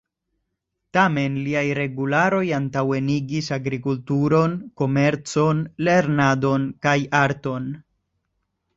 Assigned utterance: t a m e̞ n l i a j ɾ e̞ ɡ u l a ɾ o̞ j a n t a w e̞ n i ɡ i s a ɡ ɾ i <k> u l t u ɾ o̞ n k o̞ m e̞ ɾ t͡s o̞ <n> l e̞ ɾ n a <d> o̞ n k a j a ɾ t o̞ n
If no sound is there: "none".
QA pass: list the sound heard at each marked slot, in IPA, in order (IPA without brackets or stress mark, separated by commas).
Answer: k, n, d